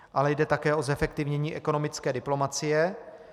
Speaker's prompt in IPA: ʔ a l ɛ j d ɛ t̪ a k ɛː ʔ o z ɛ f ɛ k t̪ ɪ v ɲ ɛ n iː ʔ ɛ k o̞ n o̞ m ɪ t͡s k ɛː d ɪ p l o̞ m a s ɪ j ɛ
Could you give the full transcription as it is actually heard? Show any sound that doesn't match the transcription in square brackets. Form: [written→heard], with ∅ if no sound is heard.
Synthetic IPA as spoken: ʔ a l ɛ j d ɛ t̪ a k ɛː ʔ o z ɛ f ɛ k t̪ ɪ v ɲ ɛ [n→ɲ] iː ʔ ɛ k o̞ n o̞ m ɪ t͡s k ɛː d ɪ p l o̞ m a [s→t͡s] ɪ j ɛ